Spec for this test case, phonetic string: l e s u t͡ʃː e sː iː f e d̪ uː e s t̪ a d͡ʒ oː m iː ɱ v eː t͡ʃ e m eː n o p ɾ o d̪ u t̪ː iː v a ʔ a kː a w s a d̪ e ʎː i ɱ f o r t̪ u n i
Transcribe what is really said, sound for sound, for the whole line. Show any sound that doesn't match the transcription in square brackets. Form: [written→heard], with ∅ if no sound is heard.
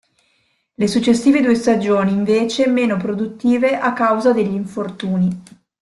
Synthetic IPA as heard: l e s u t͡ʃː e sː iː [f→v] e d̪ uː e s t̪ a d͡ʒ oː [m→n] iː ɱ v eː t͡ʃ e m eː n o p ɾ o d̪ u t̪ː iː v [a→e] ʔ a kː a w [s→z] a d̪ e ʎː i ɱ f o r t̪ [u→uː] n i